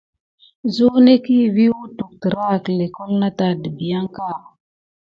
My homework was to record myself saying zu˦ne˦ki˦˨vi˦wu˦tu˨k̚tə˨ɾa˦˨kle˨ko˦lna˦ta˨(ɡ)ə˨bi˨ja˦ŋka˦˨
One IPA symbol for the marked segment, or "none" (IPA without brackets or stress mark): d